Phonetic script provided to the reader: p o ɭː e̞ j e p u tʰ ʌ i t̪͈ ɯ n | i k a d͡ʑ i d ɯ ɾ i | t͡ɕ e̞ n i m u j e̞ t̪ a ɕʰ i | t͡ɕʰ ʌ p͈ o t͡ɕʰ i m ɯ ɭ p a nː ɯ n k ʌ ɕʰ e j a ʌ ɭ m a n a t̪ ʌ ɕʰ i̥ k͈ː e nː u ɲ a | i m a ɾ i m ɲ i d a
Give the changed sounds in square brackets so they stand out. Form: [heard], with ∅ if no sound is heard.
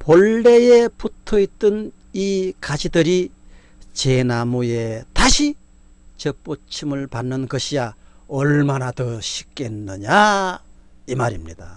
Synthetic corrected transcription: p o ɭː e̞ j e p u tʰ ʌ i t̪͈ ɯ n | i k a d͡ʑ i d ɯ ɾ i | t͡ɕ e̞ n [a] m u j e̞ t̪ a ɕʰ i | [t͡ɕ] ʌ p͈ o t͡ɕʰ i m ɯ ɭ p a nː ɯ n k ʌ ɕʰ [i] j a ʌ ɭ m a n a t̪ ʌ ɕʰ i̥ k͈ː e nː [ɯ] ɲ a | i m a ɾ i m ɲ i d a